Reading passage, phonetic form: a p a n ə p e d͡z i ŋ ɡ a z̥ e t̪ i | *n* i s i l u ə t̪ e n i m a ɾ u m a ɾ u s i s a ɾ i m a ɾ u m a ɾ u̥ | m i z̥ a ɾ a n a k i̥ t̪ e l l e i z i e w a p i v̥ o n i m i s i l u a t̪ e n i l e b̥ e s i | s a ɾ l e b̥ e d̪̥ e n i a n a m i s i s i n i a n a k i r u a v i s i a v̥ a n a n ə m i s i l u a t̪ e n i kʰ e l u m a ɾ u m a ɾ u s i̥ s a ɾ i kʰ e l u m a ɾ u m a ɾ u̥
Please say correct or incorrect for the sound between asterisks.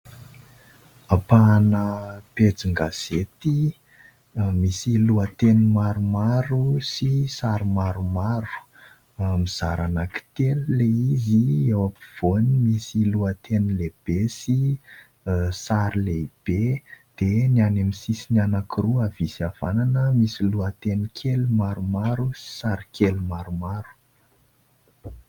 incorrect